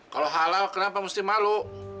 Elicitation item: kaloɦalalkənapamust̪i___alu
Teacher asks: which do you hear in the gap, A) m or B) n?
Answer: A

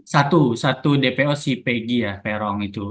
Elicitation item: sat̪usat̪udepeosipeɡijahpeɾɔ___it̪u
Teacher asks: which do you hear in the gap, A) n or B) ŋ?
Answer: B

